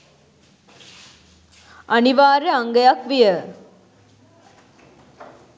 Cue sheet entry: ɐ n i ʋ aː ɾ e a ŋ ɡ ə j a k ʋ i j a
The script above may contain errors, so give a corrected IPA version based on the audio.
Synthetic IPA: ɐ n i ʋ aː ɾ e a ŋ ɡ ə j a k ʋ i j ə